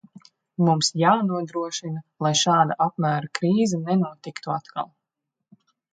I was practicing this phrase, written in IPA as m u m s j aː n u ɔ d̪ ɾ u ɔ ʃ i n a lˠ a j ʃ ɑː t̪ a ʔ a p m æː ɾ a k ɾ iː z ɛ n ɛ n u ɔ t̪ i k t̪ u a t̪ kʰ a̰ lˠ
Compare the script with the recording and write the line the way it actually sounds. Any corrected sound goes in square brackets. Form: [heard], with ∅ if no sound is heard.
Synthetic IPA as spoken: m u m s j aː n u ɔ d̪ ɾ u ɔ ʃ i n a lˠ a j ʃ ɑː [d̪] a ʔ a p m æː ɾ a k ɾ iː z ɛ n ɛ n u ɔ t̪ i k t̪ u a t̪ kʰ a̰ lˠ

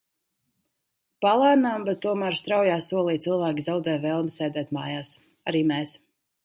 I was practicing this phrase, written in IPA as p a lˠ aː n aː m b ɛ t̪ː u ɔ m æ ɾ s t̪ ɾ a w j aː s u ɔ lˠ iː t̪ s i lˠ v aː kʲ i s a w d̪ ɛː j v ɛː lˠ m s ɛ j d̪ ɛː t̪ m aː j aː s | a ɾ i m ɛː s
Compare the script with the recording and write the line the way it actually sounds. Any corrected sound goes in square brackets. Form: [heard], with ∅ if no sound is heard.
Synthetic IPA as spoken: p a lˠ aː n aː m b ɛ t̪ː u ɔ m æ ɾ s t̪ ɾ a w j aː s u ɔ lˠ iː t̪ s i lˠ v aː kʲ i [z] a w d̪ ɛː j v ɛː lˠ m s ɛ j d̪ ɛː t̪ m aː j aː s | a ɾ [iː] m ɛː s

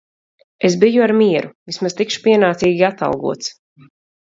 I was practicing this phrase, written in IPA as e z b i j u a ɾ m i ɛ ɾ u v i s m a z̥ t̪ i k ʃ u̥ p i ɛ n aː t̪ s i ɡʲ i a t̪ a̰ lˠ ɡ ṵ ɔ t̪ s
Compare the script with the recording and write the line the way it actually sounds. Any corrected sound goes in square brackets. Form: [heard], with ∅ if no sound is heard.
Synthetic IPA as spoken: e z b i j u a ɾ m i ɛ ɾ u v i s m a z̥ t̪ i k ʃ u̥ p i ɛ n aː t̪ s [iː] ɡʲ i a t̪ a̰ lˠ ɡ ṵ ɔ t̪ s

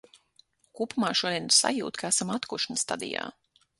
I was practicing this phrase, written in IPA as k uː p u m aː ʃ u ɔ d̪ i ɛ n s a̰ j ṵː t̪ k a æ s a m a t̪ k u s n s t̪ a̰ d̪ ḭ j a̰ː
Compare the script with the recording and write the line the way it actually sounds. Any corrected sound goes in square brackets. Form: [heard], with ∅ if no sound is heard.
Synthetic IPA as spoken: k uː p u m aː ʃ u ɔ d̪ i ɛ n s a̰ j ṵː t̪ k a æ s a m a t̪ k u [ʃ] n s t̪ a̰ d̪ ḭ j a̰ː

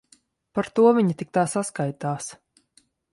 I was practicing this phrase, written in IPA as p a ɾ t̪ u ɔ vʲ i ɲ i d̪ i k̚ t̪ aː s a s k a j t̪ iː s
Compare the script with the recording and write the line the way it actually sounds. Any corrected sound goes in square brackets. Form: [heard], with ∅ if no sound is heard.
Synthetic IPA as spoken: p a ɾ t̪ u ɔ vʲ i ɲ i [t̪] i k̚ t̪ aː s a s k a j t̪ [aː] s

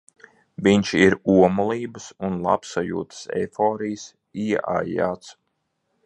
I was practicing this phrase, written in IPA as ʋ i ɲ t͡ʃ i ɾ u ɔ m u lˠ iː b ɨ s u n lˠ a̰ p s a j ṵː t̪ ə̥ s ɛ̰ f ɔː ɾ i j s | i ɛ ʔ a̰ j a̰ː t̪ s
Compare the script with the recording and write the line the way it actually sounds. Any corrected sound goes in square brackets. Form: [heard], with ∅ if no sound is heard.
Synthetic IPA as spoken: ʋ i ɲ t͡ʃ i ɾ u ɔ m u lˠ iː b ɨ s u n lˠ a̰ p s a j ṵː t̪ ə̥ s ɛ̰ f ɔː ɾ i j s | i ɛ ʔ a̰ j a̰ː t̪ s

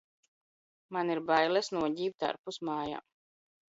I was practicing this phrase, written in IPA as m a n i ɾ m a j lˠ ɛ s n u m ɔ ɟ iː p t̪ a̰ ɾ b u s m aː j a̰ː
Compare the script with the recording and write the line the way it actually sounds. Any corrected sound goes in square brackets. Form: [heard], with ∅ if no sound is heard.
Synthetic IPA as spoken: m a n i ɾ [b] a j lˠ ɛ s n u [∅] ɔ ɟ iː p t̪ a̰ ɾ [p] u s m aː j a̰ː

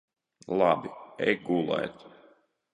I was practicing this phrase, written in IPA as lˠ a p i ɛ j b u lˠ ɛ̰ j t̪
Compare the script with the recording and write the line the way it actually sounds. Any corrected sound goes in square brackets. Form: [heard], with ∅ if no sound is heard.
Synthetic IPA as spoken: lˠ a [b] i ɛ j [ɡ] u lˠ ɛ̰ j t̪

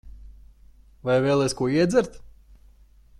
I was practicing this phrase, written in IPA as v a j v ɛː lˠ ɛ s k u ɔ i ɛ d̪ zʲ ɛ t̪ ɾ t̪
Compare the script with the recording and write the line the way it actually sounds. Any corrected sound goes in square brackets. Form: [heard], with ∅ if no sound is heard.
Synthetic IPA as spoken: v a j v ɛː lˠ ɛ s k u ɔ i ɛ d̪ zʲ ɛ [∅] ɾ t̪

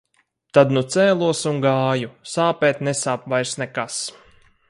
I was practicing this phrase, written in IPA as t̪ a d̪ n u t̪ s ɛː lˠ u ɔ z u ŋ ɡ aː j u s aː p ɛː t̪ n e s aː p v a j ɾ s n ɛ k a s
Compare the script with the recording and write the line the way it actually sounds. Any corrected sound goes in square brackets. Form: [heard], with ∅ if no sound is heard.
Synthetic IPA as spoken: t̪ a d̪ n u t̪ s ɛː lˠ u ɔ [s] u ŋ ɡ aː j u s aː p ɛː t̪ n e s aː p v a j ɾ s n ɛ k a s

